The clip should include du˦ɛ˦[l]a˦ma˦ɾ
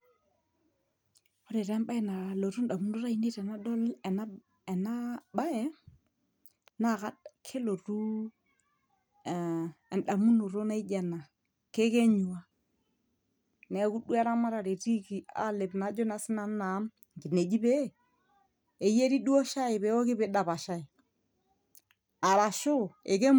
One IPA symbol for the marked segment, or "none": ɾ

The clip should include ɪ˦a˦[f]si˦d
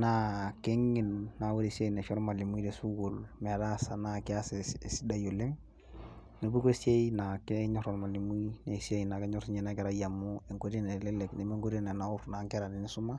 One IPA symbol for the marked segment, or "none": s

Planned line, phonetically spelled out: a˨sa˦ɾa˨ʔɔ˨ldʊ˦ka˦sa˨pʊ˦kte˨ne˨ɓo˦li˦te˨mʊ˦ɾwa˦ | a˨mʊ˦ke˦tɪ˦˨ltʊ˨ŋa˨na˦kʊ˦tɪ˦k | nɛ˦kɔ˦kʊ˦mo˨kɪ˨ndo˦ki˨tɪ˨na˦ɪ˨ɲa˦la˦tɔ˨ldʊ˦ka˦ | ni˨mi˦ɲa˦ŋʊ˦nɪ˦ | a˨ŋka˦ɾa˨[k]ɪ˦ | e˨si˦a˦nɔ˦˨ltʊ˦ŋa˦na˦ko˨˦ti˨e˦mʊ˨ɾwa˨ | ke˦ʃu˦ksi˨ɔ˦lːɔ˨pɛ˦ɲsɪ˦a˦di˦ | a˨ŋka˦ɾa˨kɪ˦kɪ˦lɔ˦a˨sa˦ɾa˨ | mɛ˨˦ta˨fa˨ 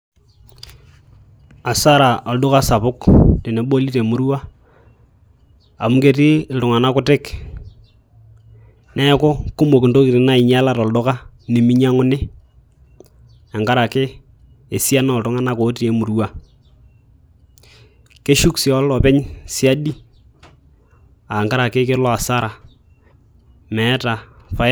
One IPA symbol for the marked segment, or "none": k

